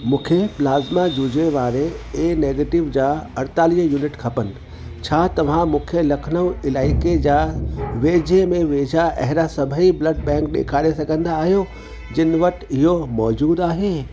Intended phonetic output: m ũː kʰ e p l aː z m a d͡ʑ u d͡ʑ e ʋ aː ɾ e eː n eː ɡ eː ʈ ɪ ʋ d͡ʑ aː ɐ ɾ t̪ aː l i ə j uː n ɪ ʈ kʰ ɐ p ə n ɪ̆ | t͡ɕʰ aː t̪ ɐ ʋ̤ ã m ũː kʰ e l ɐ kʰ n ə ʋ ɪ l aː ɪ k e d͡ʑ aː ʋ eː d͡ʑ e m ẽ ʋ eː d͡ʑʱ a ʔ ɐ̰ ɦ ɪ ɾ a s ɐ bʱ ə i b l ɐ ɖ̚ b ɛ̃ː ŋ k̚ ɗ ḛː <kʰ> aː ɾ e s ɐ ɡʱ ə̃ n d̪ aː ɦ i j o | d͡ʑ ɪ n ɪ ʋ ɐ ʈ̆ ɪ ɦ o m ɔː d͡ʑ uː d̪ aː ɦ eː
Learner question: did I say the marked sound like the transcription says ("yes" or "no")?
yes